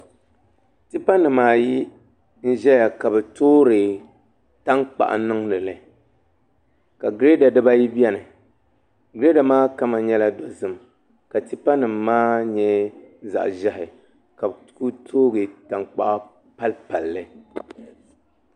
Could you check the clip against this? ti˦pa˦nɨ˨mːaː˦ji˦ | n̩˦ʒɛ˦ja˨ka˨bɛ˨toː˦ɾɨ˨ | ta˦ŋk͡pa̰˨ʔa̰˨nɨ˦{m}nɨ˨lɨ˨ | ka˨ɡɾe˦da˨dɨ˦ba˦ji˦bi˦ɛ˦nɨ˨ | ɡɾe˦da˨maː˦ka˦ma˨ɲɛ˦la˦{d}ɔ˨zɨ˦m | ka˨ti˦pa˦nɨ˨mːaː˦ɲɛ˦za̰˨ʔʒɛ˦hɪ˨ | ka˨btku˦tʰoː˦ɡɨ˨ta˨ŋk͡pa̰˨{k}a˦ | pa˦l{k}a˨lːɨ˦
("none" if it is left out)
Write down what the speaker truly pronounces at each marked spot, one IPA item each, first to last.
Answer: ŋ, d, ʔ, p

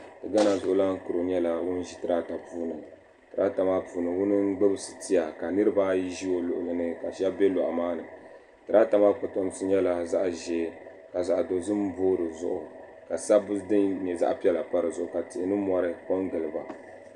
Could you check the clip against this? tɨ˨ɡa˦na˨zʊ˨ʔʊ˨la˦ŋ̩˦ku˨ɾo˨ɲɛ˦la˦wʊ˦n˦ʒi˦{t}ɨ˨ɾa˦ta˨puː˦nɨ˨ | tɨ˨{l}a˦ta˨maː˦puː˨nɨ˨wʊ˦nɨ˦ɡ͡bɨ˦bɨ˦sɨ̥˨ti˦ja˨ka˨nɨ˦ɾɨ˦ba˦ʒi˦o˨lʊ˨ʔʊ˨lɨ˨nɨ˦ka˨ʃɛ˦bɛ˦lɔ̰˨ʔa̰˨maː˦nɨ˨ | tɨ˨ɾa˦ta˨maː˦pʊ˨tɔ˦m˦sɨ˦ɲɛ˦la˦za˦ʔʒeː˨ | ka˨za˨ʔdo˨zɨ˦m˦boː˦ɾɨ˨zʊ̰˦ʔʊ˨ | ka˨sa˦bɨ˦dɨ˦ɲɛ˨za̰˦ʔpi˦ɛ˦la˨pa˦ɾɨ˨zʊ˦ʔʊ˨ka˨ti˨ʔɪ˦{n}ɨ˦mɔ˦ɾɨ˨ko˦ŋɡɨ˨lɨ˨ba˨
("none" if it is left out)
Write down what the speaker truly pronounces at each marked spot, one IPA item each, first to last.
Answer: t, ɾ, n

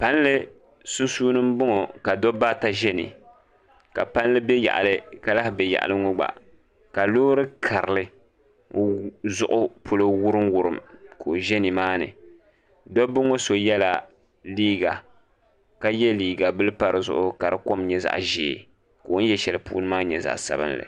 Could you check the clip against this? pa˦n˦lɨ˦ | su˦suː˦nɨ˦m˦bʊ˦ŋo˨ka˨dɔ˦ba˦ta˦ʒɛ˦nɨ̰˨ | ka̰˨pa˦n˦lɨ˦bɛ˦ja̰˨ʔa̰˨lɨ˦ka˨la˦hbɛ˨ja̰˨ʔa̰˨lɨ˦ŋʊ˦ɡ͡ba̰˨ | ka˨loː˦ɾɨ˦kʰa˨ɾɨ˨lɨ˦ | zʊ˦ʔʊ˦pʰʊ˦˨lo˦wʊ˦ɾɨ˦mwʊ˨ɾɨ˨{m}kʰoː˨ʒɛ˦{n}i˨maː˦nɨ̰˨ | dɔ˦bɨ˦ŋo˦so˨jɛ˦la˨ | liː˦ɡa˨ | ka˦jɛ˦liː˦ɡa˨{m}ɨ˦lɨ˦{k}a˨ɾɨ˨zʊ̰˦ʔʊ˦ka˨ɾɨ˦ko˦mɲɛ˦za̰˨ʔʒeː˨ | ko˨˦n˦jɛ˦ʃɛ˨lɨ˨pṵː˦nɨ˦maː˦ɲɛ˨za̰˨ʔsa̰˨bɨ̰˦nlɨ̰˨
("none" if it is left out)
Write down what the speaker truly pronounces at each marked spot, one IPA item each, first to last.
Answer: m, n, b, p

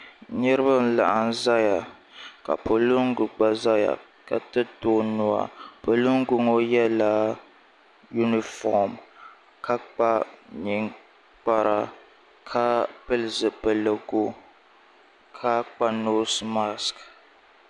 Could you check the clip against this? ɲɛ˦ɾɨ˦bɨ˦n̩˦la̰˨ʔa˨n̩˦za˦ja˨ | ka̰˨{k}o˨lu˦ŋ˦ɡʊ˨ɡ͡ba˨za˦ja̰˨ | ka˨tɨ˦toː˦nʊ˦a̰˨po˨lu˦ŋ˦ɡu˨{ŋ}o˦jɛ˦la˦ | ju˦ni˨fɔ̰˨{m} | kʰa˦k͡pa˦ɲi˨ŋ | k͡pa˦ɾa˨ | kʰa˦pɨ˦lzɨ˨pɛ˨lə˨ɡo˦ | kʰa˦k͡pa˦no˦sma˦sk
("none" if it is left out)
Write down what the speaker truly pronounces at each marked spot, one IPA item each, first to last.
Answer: p, ŋ, m

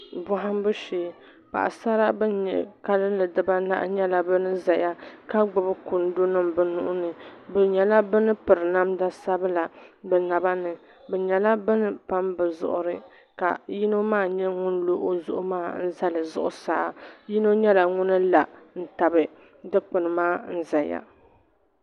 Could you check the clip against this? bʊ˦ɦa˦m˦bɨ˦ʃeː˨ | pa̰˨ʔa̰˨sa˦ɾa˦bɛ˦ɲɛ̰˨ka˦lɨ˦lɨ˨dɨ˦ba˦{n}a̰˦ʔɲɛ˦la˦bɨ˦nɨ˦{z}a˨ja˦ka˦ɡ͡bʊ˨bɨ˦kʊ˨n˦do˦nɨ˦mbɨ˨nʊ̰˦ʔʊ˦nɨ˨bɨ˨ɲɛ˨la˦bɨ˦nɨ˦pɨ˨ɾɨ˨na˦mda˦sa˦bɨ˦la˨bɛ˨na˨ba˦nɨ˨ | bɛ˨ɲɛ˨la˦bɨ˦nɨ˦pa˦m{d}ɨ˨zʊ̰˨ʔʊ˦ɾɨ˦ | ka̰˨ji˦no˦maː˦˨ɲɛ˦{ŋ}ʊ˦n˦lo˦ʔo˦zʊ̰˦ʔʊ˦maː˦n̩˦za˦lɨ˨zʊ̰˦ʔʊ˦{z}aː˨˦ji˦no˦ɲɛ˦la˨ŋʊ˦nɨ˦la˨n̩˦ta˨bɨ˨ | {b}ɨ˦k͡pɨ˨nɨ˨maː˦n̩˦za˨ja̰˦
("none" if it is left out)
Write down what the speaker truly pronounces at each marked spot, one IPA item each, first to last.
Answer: n, z, b, ŋ, s, d

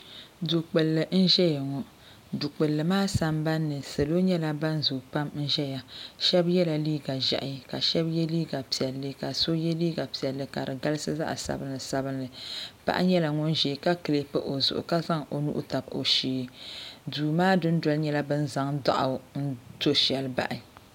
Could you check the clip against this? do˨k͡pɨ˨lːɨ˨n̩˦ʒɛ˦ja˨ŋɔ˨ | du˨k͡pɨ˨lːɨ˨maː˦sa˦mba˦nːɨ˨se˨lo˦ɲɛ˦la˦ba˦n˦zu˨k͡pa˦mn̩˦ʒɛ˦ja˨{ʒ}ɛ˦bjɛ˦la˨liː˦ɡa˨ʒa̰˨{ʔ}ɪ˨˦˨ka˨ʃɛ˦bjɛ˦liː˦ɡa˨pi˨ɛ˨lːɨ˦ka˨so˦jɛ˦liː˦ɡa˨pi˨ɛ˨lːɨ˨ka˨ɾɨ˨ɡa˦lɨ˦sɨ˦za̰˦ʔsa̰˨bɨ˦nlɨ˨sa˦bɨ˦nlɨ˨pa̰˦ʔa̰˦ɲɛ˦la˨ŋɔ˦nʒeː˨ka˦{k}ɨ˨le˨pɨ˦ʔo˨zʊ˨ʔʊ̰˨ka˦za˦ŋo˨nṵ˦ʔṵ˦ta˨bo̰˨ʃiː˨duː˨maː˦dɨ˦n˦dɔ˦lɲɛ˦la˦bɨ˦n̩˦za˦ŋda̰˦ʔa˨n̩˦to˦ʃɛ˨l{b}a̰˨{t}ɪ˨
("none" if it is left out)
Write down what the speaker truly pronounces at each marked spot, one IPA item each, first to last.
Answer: ʃ, ʔ, k, b, ʔ

